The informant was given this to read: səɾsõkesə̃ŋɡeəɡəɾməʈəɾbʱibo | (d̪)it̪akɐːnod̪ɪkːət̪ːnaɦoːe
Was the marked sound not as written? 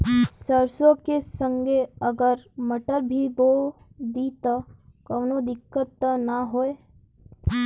no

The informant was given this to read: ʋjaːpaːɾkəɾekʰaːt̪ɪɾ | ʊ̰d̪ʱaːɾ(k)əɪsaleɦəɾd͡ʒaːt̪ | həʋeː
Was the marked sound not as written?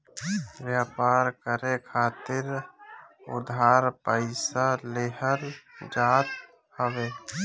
yes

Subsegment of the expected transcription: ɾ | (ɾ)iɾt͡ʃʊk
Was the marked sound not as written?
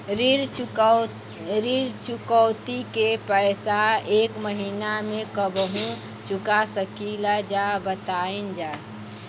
no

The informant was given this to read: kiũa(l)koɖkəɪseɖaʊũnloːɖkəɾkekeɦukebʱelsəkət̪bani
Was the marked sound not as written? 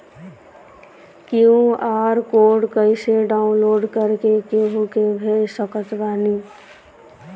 yes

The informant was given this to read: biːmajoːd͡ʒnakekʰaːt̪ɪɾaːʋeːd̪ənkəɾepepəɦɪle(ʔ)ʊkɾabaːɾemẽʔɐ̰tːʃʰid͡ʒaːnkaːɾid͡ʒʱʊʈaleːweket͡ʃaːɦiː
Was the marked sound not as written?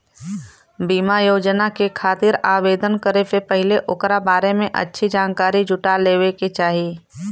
no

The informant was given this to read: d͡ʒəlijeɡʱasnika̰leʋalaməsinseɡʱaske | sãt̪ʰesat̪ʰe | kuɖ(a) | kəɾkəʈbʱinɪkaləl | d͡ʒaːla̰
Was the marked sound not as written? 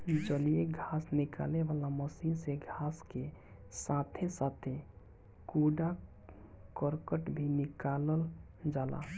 no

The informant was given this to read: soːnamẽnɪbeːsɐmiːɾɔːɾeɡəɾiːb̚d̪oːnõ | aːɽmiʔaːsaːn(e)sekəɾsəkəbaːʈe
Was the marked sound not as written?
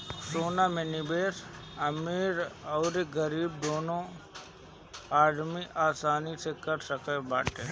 yes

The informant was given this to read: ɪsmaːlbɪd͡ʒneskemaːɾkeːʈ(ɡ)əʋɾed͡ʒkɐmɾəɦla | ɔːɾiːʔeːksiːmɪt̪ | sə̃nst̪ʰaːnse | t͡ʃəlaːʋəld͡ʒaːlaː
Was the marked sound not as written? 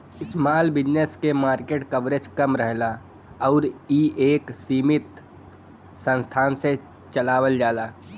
yes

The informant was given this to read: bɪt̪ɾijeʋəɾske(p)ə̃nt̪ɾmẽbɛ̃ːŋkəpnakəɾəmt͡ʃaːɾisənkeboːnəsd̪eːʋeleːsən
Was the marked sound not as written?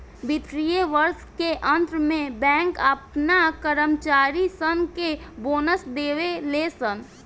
yes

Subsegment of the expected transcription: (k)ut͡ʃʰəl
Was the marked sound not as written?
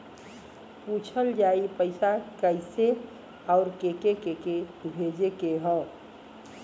yes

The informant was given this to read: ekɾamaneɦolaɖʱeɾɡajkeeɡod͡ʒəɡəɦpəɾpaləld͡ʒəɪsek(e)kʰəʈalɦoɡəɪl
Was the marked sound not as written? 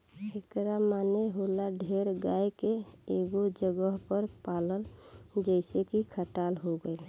yes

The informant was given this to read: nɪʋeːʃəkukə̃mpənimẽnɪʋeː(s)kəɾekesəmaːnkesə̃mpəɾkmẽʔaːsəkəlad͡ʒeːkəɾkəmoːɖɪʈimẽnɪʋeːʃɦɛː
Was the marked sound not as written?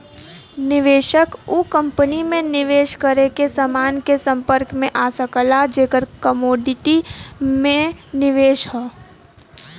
yes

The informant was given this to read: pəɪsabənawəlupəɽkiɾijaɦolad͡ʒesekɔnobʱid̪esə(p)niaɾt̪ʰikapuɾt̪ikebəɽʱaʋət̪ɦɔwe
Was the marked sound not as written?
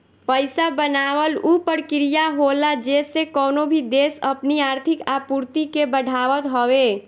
no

